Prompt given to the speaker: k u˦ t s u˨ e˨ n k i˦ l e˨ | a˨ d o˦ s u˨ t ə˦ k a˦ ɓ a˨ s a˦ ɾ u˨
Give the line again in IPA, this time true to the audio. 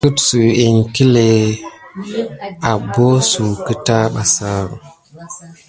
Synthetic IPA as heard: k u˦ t s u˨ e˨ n k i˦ l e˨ | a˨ b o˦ s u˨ k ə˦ t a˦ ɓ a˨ s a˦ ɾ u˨